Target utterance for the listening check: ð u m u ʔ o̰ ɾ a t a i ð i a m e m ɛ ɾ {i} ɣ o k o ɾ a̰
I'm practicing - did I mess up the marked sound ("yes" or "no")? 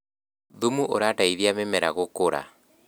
yes